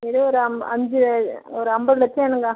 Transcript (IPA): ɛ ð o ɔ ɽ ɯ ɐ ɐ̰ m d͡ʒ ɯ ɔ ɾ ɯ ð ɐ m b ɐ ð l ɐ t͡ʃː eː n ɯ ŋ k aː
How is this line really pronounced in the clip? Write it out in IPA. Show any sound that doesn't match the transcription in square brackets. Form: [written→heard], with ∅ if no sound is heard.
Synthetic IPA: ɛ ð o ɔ [ɽ→ɾ] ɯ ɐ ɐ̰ [m→ɲ] d͡ʒ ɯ ɔ ɾ ɯ [ð→∅] ɐ m b ɐ ð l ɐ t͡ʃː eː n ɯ ŋ [k→ɡ] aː